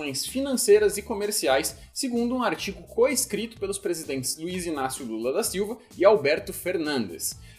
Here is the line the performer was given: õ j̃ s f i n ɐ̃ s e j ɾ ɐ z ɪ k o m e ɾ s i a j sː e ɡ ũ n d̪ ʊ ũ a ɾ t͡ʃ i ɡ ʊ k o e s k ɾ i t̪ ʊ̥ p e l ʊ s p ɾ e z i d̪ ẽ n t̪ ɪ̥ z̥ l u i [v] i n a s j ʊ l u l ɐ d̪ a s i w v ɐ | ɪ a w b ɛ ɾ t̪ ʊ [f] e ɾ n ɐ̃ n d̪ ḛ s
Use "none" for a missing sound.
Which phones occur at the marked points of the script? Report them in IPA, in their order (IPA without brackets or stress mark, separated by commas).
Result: z, f